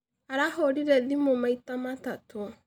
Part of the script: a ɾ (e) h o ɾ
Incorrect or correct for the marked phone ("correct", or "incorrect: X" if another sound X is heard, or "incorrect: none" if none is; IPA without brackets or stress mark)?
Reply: incorrect: a